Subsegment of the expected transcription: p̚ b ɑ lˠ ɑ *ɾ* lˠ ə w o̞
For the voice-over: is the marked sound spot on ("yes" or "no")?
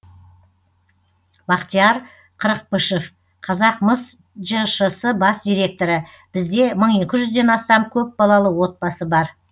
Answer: no